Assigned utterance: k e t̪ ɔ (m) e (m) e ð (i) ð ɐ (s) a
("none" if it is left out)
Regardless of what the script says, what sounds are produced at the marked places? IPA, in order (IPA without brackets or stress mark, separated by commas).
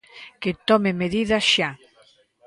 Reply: m, m, i, ʃ